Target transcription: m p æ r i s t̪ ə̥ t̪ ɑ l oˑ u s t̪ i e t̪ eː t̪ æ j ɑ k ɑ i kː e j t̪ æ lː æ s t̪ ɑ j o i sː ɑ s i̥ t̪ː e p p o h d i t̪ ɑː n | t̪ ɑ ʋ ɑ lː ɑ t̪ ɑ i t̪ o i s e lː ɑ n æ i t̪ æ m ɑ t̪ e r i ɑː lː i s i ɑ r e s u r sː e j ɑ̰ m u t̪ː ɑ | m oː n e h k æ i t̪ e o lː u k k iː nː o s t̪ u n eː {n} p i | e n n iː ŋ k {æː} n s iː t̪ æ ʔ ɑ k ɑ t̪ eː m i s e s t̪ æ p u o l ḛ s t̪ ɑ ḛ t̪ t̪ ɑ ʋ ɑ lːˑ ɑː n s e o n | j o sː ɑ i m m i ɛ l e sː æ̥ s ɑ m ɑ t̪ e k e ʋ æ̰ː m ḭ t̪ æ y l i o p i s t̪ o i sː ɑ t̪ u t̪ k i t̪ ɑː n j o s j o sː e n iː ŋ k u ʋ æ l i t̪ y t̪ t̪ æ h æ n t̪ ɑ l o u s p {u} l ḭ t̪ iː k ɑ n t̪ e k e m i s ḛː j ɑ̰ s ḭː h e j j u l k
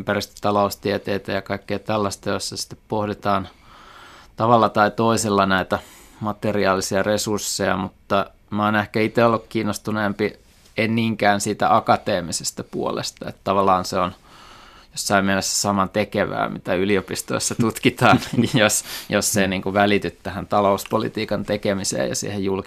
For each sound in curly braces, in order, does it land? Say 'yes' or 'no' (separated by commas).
no, yes, no